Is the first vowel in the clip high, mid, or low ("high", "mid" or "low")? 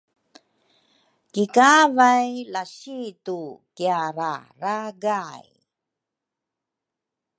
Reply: high